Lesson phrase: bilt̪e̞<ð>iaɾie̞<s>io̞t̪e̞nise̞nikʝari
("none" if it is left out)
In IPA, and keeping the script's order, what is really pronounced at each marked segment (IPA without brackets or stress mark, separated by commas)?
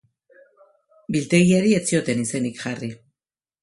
ɣ, t͡s